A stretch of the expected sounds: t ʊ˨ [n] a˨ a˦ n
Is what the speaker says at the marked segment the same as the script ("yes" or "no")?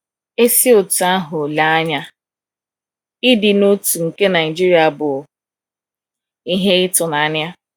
yes